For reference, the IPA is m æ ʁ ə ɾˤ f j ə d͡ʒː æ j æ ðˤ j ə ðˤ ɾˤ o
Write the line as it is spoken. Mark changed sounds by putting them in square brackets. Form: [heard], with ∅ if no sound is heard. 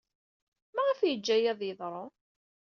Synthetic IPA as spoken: m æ ʁ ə [∅] f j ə d͡ʒː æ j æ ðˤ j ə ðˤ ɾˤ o